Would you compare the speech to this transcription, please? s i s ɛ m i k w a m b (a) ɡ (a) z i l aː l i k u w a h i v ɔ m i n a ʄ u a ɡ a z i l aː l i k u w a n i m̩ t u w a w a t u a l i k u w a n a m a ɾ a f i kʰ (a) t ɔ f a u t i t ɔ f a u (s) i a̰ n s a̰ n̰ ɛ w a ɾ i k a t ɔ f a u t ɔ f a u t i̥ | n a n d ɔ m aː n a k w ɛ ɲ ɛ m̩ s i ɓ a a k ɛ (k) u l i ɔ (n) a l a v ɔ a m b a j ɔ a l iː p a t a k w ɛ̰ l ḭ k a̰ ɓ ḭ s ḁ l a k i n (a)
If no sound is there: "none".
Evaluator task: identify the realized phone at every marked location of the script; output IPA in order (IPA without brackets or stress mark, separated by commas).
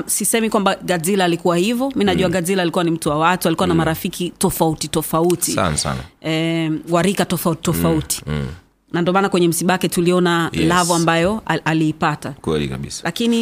a, a, i, t, t, n, i